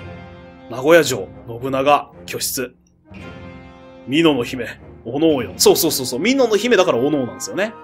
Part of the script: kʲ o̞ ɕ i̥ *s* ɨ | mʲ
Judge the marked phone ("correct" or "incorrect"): incorrect